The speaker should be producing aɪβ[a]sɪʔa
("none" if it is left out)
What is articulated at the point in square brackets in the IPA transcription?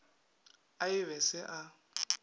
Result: ɛ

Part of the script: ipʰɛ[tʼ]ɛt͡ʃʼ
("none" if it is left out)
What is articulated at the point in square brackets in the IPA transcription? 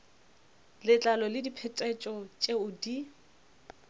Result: tʼ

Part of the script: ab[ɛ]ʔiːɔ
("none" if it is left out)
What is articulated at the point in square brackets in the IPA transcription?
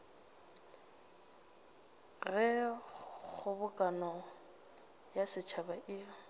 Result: a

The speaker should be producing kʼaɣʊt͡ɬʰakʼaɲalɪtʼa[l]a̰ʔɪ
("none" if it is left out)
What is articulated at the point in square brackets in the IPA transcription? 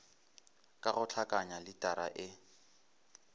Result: ɾ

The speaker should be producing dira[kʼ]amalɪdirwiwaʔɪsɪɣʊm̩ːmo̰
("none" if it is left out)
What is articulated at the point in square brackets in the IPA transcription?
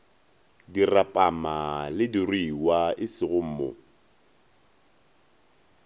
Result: pʼ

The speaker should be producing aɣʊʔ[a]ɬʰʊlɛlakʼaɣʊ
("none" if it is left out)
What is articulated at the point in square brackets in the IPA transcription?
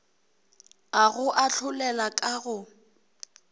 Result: a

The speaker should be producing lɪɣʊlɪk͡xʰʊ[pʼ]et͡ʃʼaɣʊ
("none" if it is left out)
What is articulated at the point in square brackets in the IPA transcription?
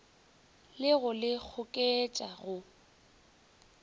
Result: kʼ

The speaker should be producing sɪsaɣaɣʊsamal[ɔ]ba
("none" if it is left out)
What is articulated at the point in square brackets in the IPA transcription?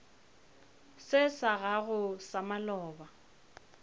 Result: ɔː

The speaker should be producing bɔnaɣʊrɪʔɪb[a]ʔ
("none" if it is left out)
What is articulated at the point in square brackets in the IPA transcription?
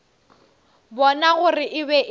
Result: ɛ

